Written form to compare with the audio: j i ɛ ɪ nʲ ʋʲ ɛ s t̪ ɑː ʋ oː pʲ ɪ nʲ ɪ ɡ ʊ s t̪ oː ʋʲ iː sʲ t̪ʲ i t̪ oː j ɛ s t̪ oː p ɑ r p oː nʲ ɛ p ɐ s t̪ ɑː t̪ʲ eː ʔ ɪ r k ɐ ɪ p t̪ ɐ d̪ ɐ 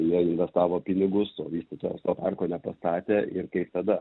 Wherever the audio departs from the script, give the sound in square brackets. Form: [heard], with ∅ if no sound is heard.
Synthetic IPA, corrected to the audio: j i ɛ ɪ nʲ ʋʲ ɛ s t̪ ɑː ʋ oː pʲ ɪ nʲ ɪ ɡ ʊ s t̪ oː ʋʲ iː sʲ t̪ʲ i t̪ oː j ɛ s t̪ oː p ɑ r [k] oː nʲ ɛ p ɐ s t̪ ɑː t̪ʲ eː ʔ ɪ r k ɐ ɪ p t̪ ɐ d̪ ɐ